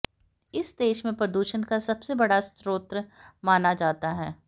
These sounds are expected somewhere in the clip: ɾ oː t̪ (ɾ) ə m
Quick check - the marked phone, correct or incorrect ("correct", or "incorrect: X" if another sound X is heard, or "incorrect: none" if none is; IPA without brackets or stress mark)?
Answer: correct